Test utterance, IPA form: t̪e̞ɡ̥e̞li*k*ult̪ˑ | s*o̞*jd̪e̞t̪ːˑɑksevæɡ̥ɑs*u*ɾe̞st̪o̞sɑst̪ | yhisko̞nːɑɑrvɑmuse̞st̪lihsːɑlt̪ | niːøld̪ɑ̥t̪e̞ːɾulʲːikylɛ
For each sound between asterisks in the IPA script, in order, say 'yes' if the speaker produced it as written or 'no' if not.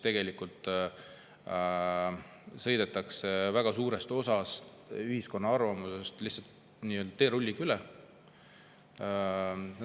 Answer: yes, no, no

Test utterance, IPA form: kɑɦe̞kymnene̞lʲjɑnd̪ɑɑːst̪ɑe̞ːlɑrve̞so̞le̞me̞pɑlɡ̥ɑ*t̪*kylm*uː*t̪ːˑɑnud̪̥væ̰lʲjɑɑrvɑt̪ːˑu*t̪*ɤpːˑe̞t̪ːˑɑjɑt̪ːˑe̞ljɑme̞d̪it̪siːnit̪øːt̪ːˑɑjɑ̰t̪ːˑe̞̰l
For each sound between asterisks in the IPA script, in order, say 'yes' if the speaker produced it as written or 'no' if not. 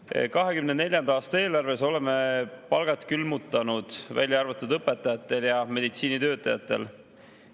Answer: yes, no, no

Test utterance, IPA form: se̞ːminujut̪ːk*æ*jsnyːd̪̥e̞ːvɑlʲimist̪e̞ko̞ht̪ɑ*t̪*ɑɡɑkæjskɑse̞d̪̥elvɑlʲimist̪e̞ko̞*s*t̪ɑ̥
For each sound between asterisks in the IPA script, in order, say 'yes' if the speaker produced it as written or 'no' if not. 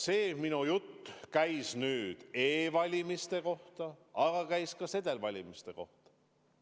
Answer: yes, no, no

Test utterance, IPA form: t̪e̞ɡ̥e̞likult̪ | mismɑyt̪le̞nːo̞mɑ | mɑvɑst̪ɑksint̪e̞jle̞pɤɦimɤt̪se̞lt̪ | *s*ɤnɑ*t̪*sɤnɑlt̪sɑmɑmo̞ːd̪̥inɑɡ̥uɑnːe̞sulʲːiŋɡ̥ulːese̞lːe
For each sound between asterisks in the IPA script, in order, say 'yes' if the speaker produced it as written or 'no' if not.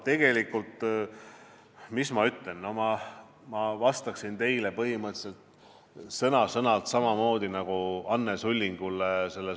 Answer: yes, no

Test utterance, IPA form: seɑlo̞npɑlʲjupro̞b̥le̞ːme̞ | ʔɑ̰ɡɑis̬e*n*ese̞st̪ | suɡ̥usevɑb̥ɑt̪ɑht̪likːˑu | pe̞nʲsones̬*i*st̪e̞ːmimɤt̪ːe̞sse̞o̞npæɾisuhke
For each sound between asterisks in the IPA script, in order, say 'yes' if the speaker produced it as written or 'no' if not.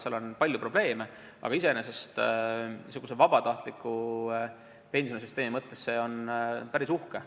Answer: yes, no

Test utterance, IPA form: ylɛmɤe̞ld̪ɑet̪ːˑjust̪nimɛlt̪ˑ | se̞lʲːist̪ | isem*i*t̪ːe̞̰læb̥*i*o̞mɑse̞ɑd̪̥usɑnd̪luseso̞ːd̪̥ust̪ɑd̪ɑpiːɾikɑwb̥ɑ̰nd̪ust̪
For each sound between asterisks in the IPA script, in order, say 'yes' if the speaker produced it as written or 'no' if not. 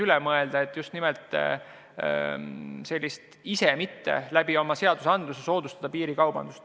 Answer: yes, yes

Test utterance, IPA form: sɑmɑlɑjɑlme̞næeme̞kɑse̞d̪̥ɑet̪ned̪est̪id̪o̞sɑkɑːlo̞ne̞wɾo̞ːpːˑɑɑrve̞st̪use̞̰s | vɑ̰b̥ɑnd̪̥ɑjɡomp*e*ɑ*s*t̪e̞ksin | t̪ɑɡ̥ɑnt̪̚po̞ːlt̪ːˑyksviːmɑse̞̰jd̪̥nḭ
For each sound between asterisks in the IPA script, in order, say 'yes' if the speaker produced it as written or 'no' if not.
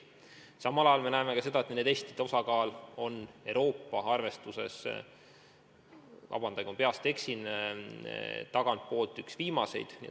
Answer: yes, yes

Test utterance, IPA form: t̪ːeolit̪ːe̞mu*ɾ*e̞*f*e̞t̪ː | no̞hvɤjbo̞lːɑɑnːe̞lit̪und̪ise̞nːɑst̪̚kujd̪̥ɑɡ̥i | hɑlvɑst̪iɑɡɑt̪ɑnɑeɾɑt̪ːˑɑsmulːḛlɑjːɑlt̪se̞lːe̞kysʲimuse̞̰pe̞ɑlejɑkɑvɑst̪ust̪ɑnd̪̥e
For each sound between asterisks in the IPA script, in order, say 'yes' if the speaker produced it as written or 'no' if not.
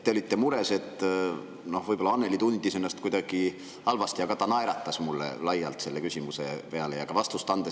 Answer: yes, no

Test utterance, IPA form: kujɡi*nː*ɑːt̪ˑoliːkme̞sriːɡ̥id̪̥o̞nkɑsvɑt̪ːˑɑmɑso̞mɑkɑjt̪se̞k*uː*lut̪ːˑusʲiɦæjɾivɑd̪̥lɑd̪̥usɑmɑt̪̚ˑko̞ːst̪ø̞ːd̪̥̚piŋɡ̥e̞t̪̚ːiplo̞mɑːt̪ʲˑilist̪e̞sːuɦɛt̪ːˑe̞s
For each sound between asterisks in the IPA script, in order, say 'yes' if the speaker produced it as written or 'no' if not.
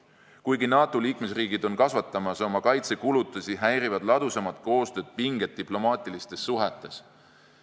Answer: no, no

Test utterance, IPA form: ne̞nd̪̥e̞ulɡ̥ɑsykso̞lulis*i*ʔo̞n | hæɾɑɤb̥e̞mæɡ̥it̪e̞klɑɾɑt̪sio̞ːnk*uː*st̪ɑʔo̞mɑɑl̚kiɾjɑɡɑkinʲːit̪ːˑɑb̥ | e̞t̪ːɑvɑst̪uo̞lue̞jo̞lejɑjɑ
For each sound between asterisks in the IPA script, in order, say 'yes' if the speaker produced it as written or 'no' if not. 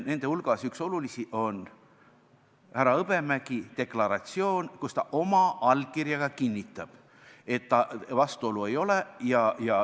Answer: yes, no

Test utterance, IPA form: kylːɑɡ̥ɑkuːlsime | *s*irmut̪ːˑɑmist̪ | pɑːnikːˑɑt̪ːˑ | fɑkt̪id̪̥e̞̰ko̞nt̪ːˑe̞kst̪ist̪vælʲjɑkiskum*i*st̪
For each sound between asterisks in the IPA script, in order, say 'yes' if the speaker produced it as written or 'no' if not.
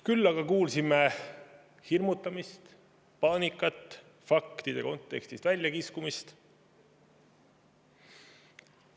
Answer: no, yes

